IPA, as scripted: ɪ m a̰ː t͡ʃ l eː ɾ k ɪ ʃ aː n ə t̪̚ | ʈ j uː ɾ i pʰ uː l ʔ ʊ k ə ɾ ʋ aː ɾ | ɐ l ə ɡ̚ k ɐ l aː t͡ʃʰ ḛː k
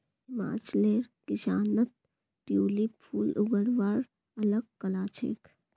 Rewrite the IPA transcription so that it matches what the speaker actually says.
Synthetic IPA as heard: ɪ m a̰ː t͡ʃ l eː ɾ k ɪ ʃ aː n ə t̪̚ | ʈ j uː l i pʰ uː l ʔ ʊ ɡ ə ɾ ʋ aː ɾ | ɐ l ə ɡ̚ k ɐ l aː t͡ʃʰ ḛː k